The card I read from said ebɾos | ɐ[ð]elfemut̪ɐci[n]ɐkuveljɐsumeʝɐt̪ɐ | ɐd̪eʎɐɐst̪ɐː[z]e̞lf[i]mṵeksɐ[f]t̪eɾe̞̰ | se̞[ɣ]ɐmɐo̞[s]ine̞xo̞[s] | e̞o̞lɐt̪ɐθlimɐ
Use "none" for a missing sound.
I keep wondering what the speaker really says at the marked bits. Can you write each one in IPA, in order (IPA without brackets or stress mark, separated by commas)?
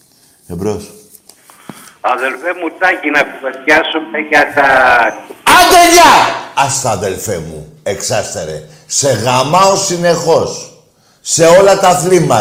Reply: ð, n, ð, e, s, ɣ, s, sː